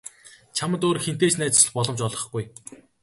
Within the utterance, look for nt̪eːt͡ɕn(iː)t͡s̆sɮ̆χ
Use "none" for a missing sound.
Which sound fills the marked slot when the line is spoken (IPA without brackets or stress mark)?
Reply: æː